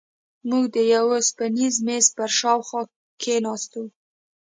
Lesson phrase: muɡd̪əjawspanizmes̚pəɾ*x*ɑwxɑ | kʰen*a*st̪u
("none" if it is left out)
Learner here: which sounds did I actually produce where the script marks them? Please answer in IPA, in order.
ʃ, ɑ

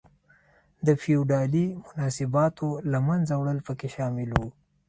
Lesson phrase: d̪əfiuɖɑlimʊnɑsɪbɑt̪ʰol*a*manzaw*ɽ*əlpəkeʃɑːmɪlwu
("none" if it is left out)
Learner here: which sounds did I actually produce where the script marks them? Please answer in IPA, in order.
a, ɽ

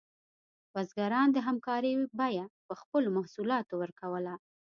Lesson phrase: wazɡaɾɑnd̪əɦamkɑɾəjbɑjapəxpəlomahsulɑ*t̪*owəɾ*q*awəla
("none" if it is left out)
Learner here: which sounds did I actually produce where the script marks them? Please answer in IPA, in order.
t̪, k

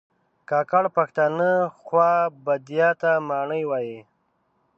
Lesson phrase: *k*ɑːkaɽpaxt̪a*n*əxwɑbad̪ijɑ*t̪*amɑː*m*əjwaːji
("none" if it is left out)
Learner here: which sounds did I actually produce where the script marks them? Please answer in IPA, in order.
k, n, t̪, ɳ

